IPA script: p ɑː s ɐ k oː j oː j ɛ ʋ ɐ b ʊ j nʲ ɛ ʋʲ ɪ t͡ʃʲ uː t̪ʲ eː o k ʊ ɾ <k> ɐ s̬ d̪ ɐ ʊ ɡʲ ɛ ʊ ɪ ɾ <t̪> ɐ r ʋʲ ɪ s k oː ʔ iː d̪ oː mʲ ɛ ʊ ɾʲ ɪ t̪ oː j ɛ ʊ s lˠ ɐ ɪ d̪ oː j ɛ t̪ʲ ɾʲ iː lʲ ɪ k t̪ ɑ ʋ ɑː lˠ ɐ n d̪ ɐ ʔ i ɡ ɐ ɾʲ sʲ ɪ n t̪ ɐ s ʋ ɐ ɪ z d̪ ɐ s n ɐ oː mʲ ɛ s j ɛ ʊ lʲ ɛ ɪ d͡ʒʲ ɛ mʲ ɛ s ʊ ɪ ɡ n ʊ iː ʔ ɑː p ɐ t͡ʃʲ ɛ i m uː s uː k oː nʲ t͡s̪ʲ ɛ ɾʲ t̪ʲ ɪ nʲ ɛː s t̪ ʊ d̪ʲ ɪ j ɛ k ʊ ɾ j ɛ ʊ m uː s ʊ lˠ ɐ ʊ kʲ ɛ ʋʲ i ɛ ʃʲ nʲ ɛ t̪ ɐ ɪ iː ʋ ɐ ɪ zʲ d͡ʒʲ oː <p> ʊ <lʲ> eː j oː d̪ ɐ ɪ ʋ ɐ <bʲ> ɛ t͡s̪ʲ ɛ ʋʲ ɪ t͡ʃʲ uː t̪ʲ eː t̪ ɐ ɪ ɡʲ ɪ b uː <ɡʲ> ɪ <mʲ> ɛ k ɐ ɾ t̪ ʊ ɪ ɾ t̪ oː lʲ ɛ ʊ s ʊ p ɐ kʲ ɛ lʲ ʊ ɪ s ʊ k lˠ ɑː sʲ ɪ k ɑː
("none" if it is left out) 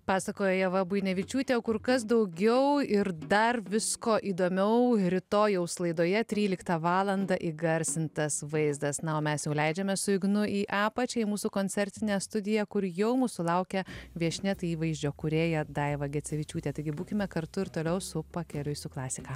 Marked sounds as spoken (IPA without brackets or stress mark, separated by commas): k, d̪, k, ɾʲ, ɡʲ, kʲ, mʲ